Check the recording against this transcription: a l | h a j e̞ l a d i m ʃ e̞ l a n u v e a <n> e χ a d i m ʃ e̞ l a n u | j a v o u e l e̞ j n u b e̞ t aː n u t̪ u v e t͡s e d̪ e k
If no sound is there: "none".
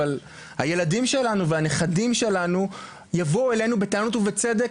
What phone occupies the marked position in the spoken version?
n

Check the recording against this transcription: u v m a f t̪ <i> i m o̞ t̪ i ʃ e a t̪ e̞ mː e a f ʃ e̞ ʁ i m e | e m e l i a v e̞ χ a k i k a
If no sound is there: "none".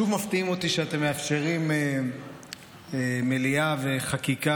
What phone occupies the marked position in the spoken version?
i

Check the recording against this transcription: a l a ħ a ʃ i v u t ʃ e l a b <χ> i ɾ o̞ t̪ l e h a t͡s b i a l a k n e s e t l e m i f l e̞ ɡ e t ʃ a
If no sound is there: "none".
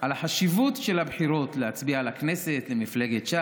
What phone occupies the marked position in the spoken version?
ħ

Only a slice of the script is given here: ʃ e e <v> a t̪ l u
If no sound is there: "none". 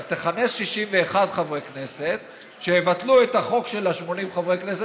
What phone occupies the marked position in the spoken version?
v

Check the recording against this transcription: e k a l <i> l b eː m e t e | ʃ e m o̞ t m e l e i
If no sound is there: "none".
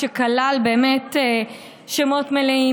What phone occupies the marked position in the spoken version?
a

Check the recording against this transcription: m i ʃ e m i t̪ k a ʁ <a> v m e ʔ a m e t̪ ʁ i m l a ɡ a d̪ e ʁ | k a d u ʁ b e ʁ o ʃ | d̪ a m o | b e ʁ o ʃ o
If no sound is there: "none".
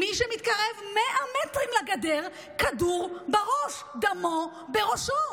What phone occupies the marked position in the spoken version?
e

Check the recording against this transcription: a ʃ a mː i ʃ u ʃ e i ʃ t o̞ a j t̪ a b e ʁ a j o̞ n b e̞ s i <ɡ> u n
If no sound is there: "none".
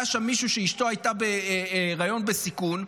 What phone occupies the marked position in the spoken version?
k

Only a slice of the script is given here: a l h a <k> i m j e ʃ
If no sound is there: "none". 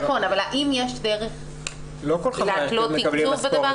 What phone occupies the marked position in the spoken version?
ʔ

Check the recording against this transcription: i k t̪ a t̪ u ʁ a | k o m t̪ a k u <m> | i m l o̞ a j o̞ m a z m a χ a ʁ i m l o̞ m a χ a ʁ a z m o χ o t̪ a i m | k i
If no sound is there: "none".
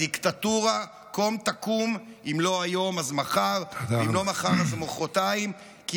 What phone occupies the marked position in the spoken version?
m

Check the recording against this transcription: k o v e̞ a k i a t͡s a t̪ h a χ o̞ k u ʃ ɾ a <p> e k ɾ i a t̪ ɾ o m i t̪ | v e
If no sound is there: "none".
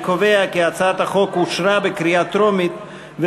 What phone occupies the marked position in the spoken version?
b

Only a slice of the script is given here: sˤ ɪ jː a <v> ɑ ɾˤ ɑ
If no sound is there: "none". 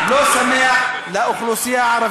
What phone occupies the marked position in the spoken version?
ʕ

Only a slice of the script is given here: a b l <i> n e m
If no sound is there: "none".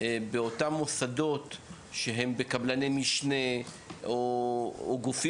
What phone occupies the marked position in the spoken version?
a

